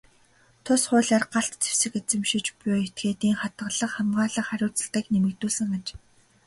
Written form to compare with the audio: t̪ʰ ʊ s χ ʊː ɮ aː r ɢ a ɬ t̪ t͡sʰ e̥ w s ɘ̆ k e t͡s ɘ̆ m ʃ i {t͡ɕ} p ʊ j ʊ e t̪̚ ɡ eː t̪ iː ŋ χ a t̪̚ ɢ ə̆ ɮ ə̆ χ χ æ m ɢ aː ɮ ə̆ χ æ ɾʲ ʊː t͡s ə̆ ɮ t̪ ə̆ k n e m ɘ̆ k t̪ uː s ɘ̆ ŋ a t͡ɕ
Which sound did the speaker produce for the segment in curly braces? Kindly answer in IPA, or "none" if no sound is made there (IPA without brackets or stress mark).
t͡ɕ